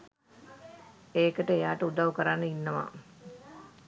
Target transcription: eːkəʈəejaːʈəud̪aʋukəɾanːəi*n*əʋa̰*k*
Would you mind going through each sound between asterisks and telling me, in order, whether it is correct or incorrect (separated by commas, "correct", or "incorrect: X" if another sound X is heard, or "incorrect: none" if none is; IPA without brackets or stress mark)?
incorrect: nː, incorrect: none